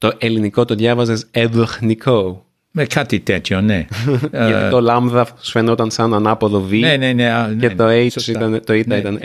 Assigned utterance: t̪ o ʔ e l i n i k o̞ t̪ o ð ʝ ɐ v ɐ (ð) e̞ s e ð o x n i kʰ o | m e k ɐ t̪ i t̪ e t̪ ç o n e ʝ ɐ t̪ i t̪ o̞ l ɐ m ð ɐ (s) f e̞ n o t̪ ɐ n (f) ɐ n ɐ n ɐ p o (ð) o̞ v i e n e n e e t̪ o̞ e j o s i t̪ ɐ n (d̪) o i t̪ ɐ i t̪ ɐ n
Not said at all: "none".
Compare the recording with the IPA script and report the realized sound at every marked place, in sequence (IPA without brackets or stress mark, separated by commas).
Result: z, s, s, ð, t̪